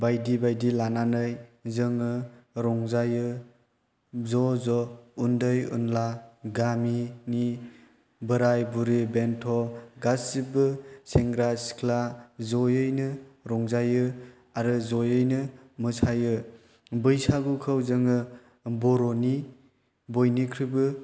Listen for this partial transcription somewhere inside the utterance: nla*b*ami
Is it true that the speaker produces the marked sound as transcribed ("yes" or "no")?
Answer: no